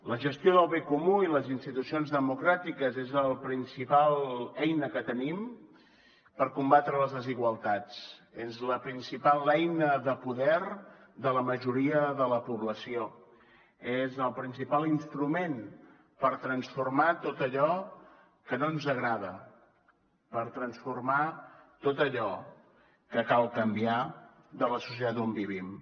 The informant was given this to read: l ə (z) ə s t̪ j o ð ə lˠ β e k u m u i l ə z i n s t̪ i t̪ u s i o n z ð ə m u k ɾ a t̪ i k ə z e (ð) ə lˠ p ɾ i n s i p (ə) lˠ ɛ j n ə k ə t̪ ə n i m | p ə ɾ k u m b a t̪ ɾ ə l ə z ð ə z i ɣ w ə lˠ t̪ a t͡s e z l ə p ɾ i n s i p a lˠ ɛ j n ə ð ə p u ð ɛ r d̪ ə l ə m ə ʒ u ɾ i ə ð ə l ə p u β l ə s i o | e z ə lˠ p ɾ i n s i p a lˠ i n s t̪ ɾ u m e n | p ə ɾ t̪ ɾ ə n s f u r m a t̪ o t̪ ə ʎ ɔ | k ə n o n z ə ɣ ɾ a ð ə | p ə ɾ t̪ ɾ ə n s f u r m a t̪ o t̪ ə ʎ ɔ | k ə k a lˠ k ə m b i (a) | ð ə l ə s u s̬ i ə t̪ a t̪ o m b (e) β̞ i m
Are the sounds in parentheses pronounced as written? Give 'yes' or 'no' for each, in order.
no, no, no, yes, no

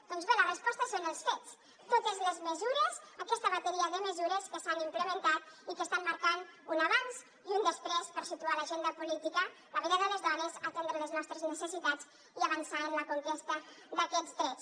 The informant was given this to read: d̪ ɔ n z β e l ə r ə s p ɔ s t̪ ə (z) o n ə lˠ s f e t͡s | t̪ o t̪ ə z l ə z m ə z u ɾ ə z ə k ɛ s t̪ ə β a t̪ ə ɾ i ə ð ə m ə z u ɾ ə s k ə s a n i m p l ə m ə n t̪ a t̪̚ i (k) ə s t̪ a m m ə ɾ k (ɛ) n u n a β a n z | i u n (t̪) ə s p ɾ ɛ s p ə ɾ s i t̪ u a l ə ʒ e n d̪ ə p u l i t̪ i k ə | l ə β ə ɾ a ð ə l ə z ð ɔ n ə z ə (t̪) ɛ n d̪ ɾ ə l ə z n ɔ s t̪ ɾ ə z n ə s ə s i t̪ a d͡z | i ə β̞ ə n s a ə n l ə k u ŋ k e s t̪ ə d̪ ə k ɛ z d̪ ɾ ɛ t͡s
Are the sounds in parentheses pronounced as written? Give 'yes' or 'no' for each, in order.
no, yes, no, no, yes

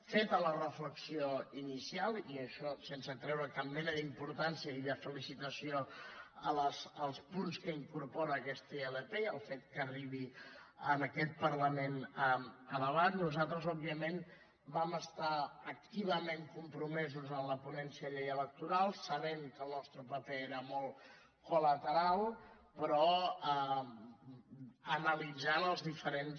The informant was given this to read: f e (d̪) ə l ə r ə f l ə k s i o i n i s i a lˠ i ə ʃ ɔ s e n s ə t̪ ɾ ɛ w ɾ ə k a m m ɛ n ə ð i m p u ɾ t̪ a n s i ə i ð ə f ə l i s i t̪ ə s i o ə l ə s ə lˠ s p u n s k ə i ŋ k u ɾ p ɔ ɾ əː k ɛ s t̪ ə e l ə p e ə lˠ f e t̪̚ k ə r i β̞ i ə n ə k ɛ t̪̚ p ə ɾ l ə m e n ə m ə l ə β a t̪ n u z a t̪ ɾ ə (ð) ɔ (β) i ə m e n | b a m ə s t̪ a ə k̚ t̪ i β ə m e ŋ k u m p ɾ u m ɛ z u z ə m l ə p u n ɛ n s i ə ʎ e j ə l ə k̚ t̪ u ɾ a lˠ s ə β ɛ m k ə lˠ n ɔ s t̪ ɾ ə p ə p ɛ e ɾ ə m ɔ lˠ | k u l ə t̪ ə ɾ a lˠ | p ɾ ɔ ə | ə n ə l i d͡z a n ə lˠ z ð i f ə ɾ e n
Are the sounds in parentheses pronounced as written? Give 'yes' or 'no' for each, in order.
no, no, no

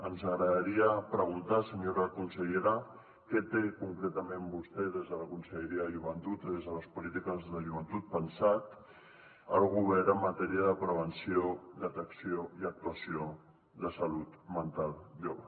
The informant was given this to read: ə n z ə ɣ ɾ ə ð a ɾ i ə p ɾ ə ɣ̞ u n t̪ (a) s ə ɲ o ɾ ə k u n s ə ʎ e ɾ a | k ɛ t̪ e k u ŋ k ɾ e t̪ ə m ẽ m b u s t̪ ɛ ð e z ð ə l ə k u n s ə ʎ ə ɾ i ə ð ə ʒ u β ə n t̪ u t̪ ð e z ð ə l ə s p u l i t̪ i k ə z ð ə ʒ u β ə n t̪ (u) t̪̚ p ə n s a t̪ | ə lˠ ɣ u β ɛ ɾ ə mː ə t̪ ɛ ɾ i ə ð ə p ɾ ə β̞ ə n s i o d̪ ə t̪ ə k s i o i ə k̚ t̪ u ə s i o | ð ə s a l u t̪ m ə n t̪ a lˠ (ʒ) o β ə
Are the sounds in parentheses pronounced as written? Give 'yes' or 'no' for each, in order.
yes, yes, yes

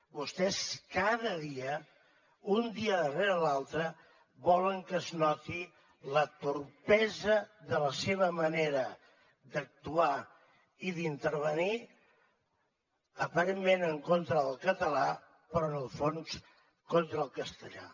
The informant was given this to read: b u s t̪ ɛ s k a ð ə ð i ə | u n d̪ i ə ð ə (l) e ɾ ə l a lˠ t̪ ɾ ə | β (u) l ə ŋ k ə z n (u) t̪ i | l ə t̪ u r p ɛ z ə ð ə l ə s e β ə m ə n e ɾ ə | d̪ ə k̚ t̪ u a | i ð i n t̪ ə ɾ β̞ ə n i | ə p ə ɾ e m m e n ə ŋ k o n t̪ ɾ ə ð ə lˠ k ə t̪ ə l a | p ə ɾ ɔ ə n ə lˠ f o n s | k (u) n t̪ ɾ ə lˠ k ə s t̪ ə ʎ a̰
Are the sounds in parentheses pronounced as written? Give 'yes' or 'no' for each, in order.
no, no, no, no

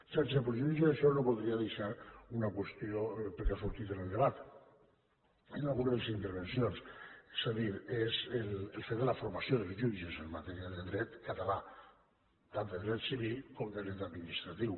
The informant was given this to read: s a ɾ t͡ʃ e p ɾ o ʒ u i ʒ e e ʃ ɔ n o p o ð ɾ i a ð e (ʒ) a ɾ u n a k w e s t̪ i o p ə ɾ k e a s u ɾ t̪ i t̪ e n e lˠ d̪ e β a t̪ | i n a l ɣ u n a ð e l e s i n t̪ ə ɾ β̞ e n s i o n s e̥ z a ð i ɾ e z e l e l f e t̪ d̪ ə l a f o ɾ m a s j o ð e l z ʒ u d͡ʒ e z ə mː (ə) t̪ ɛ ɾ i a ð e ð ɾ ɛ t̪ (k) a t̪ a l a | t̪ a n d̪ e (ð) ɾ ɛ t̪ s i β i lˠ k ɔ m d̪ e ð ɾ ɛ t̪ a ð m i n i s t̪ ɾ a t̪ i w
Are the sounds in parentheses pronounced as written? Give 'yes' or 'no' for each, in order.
no, no, yes, yes

